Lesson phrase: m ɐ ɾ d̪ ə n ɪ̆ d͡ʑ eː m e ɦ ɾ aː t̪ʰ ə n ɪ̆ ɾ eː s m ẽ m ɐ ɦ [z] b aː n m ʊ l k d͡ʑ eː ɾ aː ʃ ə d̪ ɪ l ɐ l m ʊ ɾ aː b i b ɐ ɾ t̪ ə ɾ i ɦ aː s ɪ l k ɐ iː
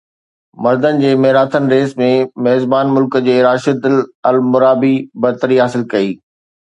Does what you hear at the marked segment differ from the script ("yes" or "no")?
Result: no